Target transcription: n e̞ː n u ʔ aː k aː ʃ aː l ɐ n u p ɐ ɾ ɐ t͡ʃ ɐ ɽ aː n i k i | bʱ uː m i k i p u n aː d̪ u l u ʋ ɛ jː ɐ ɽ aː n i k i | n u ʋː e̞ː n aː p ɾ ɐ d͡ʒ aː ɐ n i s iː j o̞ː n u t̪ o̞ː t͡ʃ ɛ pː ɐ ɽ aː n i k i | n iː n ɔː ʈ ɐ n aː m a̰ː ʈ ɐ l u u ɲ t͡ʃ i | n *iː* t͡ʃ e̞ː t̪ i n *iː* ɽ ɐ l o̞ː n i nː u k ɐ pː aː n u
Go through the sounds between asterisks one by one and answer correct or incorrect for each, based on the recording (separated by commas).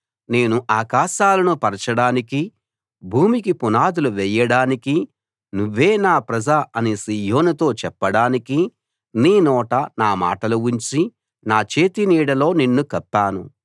incorrect, correct